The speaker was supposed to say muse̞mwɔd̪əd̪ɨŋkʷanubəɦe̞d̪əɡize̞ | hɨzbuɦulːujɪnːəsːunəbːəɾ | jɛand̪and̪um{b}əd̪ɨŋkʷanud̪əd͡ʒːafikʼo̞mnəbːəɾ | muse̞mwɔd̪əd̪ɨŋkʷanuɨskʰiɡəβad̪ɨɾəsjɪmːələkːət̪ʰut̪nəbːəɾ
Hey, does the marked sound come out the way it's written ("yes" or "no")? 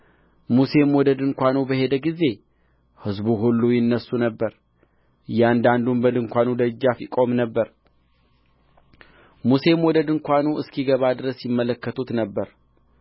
yes